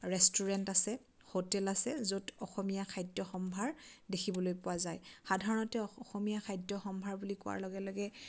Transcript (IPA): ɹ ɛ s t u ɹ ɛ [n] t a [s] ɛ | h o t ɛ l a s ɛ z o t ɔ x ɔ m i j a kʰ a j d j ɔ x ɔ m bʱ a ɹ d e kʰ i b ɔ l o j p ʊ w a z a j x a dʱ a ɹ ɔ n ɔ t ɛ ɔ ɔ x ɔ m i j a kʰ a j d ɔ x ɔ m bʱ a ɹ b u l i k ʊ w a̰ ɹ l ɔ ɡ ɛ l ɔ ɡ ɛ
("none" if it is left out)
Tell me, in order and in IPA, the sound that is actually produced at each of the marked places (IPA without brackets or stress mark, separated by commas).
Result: n, s